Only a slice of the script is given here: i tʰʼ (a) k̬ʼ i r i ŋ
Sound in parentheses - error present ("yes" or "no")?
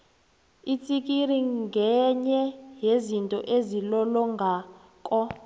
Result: yes